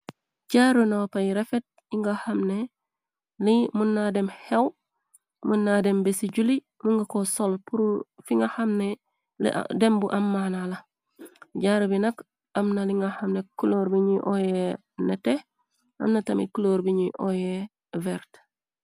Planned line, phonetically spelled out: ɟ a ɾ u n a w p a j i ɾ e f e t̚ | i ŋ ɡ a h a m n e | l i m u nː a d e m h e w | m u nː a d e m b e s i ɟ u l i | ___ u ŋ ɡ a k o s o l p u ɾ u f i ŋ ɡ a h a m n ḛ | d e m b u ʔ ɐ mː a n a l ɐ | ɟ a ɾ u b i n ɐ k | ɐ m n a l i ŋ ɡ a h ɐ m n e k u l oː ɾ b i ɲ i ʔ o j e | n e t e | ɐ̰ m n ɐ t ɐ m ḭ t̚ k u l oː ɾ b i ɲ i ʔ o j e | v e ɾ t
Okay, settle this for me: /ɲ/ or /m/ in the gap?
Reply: m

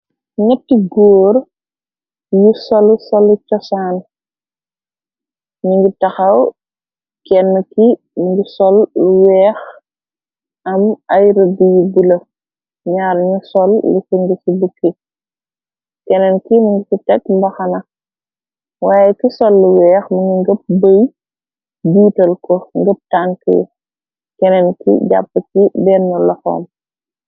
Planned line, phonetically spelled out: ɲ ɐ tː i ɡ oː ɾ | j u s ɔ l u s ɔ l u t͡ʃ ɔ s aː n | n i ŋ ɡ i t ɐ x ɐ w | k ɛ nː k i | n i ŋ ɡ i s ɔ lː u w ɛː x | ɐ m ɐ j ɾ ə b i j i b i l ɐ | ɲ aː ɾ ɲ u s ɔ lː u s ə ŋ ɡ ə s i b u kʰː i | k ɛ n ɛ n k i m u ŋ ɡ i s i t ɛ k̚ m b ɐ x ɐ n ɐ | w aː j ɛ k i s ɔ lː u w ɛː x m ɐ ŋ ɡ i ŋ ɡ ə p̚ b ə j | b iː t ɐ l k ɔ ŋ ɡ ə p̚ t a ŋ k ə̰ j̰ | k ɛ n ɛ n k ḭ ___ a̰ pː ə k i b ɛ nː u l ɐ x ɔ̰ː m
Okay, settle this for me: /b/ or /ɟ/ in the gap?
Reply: ɟ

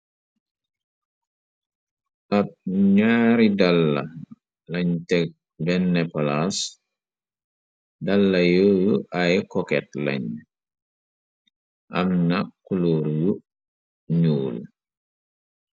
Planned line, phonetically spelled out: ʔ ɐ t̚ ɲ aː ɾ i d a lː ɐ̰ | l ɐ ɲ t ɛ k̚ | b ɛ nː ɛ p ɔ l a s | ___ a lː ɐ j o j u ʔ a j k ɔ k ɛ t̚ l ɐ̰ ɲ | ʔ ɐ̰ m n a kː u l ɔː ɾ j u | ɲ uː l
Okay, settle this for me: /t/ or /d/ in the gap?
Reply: d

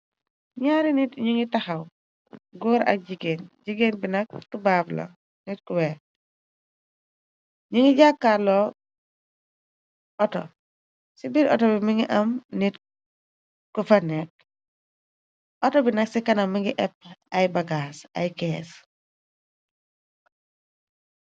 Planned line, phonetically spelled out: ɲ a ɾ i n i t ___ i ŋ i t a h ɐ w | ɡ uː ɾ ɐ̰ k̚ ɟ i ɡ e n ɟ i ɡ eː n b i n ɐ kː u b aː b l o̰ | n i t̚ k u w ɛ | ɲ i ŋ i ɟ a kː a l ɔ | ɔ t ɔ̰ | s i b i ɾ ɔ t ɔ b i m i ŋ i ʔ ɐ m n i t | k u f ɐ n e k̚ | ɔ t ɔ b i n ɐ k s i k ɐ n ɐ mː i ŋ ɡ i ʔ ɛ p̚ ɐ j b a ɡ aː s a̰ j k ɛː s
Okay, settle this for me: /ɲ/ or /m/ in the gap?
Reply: ɲ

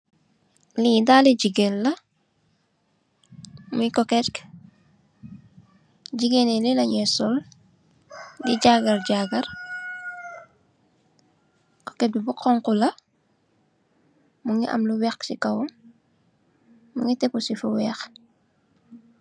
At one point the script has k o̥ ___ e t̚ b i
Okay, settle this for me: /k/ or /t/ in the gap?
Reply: k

